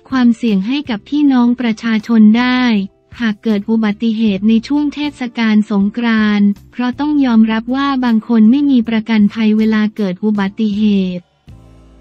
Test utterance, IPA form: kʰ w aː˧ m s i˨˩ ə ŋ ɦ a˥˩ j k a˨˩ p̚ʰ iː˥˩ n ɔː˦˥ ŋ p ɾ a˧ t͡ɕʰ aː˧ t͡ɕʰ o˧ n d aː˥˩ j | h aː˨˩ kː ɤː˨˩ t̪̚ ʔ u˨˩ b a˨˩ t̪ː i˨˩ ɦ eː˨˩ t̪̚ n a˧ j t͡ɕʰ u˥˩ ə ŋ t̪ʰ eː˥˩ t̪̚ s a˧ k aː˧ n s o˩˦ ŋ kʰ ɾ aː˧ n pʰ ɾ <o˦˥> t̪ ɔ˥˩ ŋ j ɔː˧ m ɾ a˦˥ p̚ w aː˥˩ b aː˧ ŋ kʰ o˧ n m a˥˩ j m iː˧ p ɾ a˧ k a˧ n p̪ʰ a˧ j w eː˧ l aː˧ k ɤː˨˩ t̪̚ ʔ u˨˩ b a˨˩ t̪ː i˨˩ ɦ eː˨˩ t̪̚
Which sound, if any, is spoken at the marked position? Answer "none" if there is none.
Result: ɔ˦˥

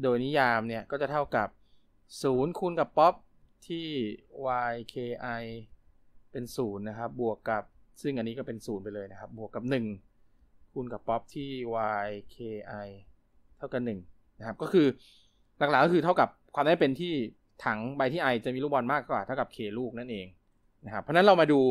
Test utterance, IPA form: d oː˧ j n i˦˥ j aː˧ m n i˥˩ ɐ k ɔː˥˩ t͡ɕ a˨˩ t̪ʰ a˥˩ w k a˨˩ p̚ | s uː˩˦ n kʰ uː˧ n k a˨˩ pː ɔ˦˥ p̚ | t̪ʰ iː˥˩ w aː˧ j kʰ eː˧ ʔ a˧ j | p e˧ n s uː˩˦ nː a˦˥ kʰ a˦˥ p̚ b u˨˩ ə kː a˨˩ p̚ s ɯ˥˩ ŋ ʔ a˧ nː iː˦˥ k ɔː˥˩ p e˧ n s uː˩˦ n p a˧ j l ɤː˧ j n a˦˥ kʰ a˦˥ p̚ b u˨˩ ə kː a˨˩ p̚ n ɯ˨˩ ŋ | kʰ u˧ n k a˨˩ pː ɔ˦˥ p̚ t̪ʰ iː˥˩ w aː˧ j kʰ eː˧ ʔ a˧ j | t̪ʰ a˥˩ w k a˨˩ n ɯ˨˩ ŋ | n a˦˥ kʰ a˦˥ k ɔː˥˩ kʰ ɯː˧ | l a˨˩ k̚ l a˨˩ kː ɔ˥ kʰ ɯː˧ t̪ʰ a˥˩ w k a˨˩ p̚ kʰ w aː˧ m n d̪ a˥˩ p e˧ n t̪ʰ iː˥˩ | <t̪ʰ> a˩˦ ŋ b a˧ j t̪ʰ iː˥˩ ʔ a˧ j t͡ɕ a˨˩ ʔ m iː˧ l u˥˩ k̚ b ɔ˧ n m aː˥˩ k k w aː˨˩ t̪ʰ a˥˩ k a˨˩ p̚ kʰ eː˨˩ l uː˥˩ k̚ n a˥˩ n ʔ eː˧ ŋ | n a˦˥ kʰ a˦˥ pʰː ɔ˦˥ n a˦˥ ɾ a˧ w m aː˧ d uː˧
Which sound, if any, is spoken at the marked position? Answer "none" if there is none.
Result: t̪ʰ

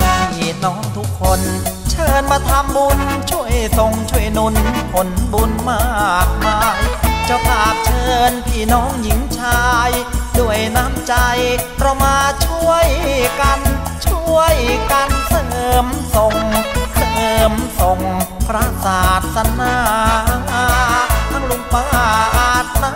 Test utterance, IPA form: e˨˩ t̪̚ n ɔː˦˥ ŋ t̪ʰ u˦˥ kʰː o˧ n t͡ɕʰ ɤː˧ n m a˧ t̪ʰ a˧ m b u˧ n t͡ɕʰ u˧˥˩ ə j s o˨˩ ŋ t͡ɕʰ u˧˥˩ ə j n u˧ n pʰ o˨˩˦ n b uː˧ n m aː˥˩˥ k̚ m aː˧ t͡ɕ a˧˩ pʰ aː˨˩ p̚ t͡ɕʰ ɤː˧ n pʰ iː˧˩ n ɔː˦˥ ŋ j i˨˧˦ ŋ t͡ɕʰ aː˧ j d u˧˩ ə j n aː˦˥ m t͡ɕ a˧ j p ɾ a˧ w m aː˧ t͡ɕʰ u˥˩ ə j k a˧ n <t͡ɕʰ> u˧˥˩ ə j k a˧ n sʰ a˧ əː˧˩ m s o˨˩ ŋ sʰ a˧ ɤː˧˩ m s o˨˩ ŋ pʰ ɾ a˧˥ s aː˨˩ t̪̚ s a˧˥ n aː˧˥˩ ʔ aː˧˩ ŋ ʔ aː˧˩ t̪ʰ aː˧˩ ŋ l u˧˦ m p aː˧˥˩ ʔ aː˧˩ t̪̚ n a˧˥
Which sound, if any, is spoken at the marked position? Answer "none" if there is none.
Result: t͡ɕʰ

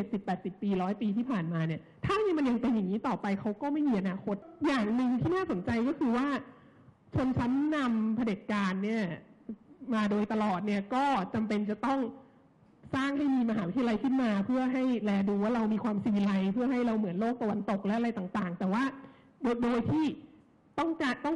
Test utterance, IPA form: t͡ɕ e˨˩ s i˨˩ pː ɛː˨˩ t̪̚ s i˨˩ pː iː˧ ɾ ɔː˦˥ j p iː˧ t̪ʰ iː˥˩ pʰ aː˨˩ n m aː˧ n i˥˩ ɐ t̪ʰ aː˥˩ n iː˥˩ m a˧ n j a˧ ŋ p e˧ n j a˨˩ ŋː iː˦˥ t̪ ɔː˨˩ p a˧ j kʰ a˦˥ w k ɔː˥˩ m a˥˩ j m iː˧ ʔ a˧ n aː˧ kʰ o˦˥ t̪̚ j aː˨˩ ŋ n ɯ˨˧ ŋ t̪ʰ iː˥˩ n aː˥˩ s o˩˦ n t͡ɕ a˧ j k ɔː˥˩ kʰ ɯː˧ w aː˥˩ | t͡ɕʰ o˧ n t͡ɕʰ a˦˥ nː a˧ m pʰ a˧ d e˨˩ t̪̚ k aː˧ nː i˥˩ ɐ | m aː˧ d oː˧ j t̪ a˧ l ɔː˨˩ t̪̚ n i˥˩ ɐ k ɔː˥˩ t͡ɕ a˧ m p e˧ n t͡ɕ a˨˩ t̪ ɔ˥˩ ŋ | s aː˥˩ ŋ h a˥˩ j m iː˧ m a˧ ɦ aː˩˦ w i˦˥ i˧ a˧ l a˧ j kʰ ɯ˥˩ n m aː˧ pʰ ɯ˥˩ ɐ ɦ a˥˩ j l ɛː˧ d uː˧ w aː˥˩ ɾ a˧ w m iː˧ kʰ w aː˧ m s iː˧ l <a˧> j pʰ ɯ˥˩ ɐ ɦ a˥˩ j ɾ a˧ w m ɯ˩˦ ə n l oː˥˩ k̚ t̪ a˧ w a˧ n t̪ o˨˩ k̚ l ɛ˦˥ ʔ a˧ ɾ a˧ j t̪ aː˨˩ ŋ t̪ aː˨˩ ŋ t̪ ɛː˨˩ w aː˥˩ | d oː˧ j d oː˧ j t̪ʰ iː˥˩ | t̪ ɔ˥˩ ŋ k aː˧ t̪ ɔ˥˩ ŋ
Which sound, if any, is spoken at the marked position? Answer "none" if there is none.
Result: a˧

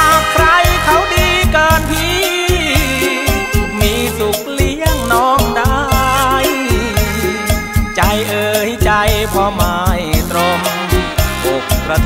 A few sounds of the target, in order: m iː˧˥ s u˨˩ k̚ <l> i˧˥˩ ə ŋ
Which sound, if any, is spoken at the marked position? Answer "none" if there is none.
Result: l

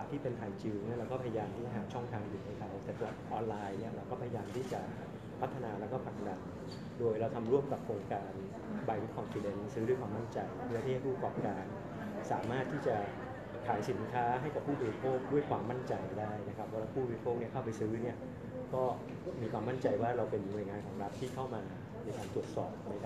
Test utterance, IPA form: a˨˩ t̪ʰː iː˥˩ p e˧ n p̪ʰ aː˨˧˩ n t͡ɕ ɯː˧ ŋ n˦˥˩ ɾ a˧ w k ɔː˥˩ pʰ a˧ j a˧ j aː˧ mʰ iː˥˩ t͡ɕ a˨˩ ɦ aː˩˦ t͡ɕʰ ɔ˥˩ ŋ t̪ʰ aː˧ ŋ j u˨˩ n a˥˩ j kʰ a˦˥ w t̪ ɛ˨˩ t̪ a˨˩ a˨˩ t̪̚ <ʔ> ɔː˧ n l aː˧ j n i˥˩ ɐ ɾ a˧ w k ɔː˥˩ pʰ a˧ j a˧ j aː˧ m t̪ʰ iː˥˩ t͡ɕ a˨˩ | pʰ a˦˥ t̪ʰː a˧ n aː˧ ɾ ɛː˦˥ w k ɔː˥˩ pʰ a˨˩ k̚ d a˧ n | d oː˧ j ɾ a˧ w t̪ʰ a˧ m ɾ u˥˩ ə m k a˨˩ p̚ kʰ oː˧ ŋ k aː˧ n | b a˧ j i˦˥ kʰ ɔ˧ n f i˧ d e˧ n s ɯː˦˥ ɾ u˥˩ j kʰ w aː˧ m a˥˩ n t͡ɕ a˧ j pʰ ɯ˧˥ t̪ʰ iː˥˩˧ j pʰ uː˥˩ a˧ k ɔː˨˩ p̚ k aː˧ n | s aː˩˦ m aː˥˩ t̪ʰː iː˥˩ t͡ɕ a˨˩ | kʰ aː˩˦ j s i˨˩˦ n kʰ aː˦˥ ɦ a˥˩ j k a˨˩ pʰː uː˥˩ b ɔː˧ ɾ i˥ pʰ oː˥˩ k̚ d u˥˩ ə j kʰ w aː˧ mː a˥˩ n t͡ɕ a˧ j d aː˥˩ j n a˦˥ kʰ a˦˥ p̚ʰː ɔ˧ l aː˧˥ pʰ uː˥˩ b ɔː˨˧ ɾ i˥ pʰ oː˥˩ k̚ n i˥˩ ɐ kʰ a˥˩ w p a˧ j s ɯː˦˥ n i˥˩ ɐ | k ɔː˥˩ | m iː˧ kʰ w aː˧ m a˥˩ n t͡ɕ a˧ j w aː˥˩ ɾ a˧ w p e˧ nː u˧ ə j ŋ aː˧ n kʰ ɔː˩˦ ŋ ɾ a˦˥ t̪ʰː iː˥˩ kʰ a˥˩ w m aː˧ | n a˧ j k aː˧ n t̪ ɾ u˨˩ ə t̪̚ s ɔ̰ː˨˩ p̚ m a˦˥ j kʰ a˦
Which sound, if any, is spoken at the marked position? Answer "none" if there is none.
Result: ʔ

